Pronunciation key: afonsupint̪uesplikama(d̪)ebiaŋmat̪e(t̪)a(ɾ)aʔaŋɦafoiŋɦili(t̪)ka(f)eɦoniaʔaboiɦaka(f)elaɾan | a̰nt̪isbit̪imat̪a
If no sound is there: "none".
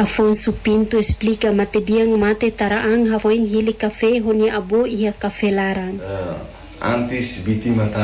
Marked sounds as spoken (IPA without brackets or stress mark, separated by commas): t̪, t̪, ɾ, none, f, f